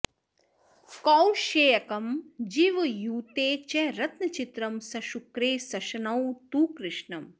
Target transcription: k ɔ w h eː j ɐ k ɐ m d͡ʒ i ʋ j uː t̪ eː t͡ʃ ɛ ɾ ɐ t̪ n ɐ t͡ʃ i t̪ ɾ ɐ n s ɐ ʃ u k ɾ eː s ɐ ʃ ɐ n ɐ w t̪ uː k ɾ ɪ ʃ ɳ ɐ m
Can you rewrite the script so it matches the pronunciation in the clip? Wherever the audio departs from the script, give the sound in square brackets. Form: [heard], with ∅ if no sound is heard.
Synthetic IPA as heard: k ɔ w [ʃ] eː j ɐ k ɐ m d͡ʒ i ʋ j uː t̪ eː t͡ʃ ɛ ɾ ɐ t̪ n ɐ t͡ʃ i t̪ ɾ ɐ [m] s ɐ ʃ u k ɾ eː s ɐ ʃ ɐ n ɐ w t̪ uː k ɾ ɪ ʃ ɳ ɐ m